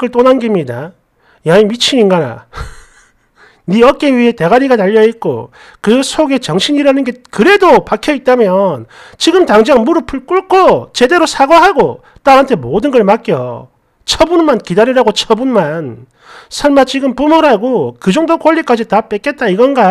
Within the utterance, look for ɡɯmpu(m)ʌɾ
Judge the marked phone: correct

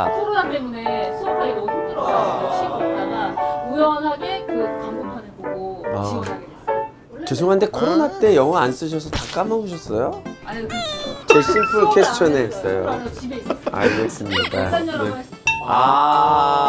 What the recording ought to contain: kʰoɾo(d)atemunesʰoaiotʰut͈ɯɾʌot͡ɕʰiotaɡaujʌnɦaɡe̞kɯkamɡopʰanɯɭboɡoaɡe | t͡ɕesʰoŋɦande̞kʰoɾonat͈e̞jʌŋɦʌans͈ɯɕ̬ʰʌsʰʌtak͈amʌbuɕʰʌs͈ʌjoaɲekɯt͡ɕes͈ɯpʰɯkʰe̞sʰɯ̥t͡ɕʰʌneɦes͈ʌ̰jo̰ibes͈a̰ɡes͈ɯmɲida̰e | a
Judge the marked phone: incorrect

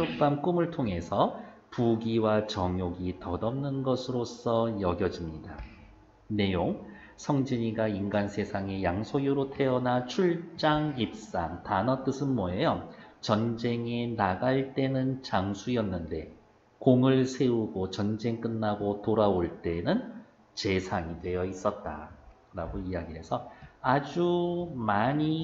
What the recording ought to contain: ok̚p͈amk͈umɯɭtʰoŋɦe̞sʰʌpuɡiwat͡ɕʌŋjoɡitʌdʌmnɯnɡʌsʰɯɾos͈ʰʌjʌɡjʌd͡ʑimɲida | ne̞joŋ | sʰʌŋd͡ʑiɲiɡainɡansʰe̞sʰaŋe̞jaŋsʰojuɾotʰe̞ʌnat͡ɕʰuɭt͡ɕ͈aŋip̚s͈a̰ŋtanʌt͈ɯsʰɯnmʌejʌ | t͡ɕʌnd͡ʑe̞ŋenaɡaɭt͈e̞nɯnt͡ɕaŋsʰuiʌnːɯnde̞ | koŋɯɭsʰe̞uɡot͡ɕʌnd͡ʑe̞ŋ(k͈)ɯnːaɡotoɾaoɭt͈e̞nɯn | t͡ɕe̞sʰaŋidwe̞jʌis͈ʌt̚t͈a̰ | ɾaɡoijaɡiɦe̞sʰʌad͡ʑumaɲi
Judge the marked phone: correct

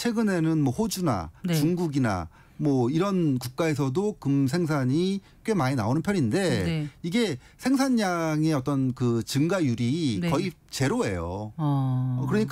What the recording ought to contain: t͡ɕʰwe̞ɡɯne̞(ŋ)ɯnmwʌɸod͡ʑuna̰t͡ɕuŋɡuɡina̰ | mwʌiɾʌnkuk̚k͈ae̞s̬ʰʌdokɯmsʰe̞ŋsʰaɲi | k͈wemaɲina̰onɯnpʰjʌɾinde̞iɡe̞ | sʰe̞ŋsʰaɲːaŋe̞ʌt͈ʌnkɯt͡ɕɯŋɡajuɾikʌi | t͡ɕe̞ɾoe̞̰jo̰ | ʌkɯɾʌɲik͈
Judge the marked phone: incorrect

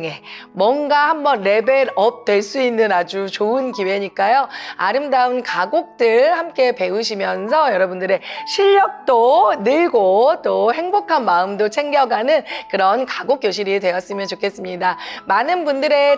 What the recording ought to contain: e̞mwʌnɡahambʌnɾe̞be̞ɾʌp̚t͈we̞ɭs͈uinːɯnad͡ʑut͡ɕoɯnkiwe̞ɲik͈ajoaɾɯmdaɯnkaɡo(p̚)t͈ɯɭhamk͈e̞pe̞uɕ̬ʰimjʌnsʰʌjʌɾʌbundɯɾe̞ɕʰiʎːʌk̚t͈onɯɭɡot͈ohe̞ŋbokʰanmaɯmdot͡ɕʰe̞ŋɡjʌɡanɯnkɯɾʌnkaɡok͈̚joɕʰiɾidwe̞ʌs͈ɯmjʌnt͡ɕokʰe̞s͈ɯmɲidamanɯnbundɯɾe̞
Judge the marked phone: incorrect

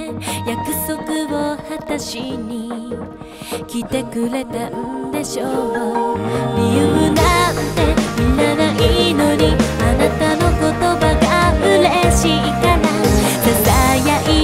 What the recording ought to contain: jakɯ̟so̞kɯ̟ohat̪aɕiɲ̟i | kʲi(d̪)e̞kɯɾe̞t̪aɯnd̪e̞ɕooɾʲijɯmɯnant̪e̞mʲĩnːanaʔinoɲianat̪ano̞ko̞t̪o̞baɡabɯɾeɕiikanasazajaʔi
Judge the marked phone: incorrect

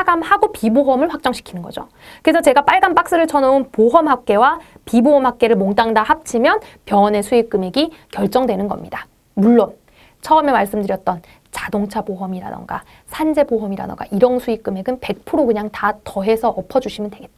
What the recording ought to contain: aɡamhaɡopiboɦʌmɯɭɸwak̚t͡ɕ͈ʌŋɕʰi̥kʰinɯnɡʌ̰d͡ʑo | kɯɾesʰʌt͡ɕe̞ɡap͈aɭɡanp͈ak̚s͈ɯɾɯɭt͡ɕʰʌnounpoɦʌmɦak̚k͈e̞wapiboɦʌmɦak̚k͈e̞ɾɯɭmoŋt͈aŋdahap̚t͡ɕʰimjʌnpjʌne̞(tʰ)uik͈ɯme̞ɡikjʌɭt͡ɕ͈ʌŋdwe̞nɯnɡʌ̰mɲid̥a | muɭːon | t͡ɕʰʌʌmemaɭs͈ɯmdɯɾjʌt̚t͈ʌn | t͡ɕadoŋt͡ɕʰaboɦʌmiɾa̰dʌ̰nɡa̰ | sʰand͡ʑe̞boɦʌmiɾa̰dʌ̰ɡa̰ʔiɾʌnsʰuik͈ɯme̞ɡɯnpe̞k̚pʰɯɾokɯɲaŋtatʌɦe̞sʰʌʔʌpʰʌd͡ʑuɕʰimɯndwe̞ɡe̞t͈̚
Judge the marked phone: incorrect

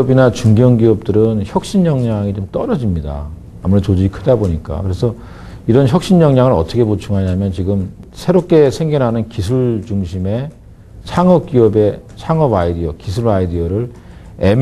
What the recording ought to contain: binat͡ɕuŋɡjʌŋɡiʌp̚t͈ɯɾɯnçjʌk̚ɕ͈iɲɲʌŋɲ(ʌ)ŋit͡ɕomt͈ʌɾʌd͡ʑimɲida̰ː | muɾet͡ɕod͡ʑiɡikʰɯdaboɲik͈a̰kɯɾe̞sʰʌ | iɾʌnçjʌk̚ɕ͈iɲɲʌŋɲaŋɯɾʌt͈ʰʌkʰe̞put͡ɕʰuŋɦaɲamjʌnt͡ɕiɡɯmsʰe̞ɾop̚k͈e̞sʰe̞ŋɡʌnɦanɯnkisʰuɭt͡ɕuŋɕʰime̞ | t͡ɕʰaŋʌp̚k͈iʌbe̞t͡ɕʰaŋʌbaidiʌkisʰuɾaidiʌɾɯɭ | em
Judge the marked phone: incorrect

